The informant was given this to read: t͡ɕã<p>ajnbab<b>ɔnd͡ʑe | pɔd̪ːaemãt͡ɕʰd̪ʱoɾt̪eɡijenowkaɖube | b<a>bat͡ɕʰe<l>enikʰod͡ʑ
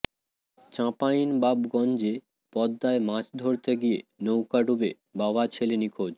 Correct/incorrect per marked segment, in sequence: correct, incorrect: ɡ, correct, correct

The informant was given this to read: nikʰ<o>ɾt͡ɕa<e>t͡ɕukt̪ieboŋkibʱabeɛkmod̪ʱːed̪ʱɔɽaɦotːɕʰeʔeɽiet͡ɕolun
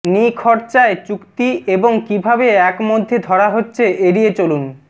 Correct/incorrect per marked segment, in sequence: incorrect: ɔ, correct

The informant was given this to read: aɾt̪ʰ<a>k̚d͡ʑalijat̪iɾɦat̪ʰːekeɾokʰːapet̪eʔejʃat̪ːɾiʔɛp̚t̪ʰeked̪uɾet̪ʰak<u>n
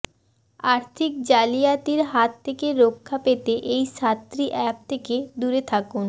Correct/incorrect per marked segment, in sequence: incorrect: i, correct

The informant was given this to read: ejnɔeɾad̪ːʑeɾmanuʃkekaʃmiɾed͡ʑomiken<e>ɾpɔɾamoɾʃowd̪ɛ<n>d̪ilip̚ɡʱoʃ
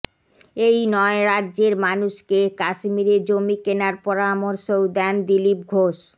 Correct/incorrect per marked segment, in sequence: incorrect: a, correct

